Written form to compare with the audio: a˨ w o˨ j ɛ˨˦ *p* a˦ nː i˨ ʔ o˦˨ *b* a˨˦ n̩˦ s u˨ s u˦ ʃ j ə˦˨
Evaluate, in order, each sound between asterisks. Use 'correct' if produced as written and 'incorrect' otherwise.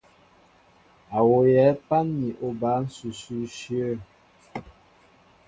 correct, correct

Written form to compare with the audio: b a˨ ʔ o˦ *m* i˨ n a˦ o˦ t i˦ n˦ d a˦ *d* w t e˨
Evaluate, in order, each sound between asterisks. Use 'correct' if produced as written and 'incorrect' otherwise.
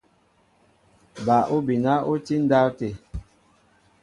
incorrect: b, incorrect: none

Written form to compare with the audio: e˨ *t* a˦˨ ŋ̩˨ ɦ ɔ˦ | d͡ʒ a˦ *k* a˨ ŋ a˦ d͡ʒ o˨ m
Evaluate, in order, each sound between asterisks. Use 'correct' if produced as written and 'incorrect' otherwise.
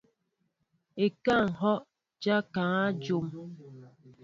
incorrect: k, correct

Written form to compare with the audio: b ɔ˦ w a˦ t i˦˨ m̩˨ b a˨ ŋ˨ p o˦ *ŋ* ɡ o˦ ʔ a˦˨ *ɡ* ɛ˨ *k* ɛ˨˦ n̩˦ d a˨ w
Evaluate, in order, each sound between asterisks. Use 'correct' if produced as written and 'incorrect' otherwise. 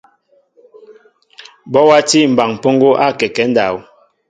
correct, incorrect: k, correct

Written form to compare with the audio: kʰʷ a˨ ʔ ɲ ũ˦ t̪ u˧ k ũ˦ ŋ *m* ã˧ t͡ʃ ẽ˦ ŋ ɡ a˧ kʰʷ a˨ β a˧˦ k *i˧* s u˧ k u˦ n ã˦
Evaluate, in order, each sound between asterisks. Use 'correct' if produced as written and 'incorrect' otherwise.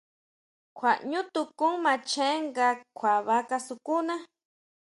correct, incorrect: a˧

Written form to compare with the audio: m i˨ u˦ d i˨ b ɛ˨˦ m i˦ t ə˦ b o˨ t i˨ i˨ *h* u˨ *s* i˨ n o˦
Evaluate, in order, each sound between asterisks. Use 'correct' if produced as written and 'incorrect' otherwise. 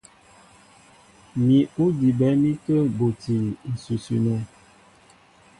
incorrect: s, correct

